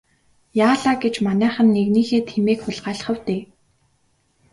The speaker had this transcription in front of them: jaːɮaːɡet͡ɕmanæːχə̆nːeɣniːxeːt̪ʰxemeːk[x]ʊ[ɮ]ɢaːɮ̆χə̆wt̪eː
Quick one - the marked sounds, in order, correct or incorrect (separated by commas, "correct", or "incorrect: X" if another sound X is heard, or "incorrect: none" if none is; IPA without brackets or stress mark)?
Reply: correct, correct